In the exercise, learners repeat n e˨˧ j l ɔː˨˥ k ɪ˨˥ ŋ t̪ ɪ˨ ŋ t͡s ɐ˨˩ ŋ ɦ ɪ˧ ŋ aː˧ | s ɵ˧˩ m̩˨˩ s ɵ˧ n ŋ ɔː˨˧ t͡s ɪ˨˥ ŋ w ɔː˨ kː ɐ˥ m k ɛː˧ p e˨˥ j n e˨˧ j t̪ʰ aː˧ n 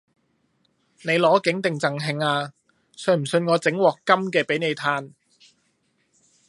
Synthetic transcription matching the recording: n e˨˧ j l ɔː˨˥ k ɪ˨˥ ŋ t̪ ɪ˨ ŋ t͡s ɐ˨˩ ŋ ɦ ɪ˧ ŋ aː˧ | s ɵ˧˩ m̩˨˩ s ɵ˧ n ŋ ɔː˨˧ t͡s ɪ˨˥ ŋ w ɔː˨ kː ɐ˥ m k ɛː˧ p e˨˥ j n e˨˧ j t̪ʰ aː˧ n

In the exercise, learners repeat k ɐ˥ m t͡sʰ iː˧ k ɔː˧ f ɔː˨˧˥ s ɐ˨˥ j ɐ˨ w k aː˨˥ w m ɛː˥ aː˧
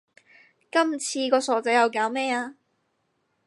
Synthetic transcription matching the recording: k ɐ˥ m t͡sʰ iː˧ k ɔː˧ s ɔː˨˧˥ t͡s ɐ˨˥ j ɐ˨ w k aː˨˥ w m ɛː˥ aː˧

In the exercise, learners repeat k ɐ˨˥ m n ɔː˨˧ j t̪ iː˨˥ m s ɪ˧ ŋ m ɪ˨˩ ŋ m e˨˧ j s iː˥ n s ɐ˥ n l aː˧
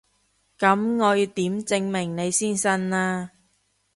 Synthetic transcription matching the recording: k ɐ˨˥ m ŋ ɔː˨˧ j t̪ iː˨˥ m t͡s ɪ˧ ŋ m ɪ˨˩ ŋ n e˨˧ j s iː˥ n s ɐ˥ n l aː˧

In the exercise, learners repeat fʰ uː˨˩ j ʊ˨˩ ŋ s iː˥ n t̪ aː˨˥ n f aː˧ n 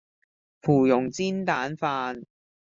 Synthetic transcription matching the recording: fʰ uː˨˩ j ʊ˨˩ ŋ t͡s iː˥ n t̪ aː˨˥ n f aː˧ n

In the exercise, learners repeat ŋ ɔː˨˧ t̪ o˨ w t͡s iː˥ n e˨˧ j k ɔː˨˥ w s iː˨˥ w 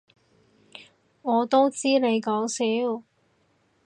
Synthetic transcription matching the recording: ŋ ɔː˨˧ t̪ o˥ w t͡s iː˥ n e˨˧ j k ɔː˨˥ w s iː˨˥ w

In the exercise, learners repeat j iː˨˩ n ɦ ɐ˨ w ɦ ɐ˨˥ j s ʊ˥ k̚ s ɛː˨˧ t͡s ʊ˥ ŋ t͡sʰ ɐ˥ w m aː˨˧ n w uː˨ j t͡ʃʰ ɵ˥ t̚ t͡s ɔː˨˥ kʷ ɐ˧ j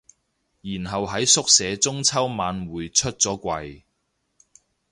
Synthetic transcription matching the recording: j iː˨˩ n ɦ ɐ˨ w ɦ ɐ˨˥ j s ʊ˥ k̚ s ɛː˨˧ t͡s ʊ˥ ŋ t͡sʰ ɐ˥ w m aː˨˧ n w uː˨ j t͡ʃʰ ɵ˥ t̚ t͡s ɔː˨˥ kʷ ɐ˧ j

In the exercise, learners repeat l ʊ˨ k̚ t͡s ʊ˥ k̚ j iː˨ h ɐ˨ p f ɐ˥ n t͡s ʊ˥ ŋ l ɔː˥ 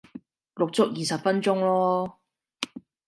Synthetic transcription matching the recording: l ʊ˨ k̚ t͡s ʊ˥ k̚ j iː˨ s ɐ˨ p f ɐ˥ n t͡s ʊ˥ ŋ l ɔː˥

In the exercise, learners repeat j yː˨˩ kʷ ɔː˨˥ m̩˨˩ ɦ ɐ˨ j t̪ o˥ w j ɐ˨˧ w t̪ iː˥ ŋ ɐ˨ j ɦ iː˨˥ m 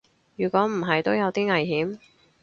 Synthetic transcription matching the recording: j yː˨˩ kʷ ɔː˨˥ m̩˨˩ ɦ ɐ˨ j t̪ o˥ w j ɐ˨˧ w t̪ iː˥ ŋ ɐ˨ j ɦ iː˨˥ m

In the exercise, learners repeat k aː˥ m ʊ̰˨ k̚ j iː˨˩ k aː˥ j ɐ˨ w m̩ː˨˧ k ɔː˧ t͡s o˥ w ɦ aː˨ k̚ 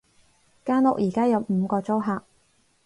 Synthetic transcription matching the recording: k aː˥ n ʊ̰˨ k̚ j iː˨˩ k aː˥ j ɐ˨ w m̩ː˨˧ k ɔː˧ t͡s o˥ w ɦ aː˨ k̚

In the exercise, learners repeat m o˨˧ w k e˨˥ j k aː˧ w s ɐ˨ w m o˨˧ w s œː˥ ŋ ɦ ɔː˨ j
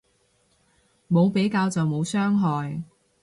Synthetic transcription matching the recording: m o˨˧ w p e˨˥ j k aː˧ w t͡s ɐ˨ w m o˨˧ w s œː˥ ŋ ɦ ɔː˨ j

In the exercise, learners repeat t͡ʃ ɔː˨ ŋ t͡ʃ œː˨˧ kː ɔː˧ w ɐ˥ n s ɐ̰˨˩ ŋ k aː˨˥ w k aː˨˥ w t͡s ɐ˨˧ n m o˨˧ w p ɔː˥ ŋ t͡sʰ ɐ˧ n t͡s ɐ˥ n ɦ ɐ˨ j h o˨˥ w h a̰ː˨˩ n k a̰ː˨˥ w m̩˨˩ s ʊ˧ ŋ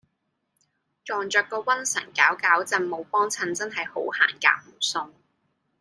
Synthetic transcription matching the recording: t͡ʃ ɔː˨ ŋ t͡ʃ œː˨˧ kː ɔː˧ w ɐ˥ n s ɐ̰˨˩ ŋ k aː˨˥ w k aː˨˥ w t͡s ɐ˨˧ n m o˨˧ w p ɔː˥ ŋ t͡sʰ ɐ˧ n t͡s ɐ˥ n ɦ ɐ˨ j h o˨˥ w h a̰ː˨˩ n k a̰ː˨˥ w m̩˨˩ s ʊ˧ ŋ

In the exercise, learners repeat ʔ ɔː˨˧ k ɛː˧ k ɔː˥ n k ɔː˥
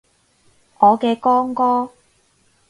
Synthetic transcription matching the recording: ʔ ɔː˨˧ k ɛː˧ k ɔː˥ ŋ k ɔː˥

